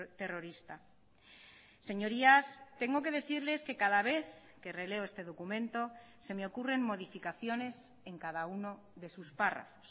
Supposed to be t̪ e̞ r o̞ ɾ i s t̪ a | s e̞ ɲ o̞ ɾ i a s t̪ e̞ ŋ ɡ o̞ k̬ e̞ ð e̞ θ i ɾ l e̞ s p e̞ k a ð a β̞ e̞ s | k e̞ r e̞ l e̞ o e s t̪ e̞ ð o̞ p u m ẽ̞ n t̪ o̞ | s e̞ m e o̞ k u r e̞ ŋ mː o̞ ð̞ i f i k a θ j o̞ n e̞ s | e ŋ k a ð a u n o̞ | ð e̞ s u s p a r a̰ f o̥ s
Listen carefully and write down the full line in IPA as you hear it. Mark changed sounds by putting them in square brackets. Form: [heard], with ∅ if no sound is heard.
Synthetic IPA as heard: t̪ e̞ r o̞ ɾ i s t̪ a | s e̞ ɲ o̞ ɾ i a s t̪ e̞ ŋ ɡ o̞ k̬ e̞ ð e̞ θ i ɾ l e̞ s [k] e̞ k a ð a β̞ e̞ [θ] | k e̞ r e̞ l e̞ o e s t̪ e̞ ð o̞ [k] u m ẽ̞ n t̪ o̞ | s e̞ m e o̞ k u r e̞ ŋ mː o̞ ð̞ i f i k a θ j o̞ n e̞ s | e ŋ k a ð a u n o̞ | ð e̞ s u s p a r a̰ f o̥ s